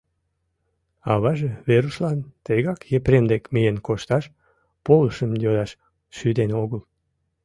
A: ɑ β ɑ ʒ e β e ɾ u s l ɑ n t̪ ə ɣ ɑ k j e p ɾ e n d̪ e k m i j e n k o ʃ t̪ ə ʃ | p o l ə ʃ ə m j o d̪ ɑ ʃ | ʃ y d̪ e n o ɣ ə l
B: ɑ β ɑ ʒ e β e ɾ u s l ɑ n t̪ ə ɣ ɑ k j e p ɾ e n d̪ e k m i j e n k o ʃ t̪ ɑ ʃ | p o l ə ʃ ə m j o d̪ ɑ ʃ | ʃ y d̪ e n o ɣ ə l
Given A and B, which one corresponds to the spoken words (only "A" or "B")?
B